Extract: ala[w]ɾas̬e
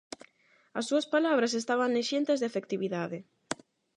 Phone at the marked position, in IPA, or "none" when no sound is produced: β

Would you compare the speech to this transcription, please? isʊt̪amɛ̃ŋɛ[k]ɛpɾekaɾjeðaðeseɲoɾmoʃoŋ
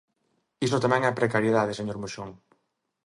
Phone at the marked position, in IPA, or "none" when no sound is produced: none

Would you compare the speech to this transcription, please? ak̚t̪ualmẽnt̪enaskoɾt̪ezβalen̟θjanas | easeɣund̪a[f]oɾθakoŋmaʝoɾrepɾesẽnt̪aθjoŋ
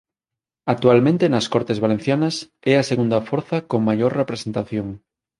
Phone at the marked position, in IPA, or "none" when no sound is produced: f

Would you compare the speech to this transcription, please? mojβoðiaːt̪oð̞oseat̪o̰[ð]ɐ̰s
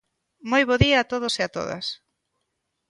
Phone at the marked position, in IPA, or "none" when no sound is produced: ð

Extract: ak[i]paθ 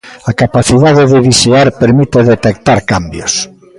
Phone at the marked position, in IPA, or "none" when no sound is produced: a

